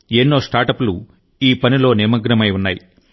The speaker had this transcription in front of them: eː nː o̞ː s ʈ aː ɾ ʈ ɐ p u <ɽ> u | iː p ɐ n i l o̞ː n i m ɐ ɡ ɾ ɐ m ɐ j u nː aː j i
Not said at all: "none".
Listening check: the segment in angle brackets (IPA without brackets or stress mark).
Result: l